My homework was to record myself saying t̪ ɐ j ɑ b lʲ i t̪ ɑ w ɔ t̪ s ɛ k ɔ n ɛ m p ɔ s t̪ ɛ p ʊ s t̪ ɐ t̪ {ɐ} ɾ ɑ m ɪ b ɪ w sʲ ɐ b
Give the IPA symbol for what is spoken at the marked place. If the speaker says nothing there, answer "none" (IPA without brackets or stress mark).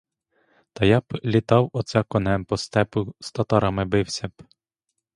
ɑ